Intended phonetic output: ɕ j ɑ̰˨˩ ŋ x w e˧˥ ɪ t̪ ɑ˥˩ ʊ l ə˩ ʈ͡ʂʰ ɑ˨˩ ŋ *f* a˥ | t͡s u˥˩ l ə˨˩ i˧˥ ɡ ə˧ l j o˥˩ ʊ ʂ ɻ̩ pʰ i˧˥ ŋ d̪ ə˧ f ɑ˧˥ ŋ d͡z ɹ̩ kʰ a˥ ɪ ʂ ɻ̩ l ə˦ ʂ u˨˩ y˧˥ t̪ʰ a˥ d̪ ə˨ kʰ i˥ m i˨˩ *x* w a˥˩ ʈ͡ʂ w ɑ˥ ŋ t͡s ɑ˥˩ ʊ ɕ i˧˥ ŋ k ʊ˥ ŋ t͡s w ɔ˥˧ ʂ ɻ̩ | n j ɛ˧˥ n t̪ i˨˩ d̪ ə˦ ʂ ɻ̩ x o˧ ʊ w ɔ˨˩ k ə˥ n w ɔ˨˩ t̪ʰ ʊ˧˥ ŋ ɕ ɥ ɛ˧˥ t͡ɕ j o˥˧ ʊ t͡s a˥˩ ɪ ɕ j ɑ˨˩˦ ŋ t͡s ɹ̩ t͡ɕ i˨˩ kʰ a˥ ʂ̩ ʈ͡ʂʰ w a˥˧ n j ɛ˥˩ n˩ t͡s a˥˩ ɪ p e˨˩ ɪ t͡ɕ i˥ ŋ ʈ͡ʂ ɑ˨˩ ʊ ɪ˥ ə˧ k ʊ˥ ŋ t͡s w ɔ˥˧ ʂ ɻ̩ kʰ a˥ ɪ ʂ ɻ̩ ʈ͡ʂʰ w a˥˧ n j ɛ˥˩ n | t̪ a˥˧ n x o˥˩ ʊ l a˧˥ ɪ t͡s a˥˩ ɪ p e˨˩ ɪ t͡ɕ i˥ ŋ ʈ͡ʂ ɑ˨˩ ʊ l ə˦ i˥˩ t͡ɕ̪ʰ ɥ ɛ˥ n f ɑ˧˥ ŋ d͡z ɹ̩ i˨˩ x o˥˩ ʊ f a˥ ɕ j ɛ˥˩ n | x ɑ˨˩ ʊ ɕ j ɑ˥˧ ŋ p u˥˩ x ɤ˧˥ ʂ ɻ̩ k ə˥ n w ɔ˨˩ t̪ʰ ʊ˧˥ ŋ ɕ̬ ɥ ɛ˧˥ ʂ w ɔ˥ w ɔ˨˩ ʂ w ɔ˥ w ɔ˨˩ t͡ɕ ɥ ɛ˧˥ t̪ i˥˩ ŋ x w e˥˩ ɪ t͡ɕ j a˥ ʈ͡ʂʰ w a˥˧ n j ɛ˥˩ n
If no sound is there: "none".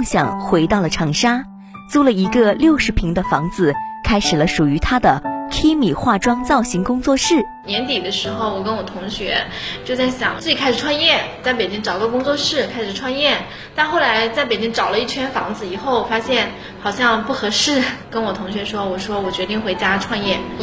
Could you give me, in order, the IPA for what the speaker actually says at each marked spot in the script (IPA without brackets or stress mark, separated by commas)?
ʂ, x